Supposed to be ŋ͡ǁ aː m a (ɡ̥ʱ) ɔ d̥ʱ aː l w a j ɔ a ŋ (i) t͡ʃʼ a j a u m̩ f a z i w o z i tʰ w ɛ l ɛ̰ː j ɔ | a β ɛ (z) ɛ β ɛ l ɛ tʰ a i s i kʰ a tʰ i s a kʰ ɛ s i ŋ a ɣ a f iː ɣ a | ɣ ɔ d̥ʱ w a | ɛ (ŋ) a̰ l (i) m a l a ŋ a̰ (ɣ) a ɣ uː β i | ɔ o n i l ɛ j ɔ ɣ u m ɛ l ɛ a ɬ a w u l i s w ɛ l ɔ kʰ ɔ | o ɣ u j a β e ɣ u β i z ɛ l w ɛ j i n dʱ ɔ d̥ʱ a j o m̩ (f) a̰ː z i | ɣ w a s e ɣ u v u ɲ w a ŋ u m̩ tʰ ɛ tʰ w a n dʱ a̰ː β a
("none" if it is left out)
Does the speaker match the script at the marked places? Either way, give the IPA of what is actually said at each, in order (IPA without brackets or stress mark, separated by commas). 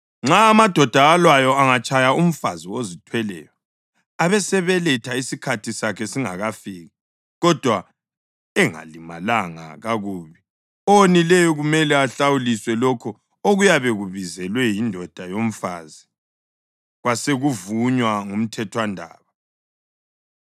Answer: d̥ʱ, a, s, ŋ, i, ɣ, f